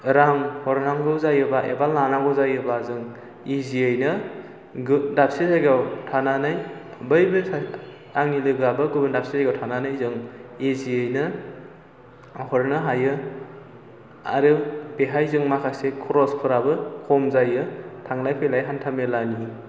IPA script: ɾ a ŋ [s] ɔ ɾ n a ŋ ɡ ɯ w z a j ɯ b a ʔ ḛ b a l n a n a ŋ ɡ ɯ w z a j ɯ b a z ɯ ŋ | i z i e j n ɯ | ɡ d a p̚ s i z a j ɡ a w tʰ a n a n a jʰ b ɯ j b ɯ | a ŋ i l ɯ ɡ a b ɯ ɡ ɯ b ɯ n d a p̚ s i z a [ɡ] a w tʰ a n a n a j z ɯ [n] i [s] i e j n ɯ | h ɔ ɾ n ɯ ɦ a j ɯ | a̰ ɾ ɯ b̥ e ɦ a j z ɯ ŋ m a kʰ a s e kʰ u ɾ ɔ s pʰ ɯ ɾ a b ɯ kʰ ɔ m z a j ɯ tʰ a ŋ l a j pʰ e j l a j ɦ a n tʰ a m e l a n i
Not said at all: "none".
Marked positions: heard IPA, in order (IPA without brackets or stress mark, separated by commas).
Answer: h, ɡ, ŋ, z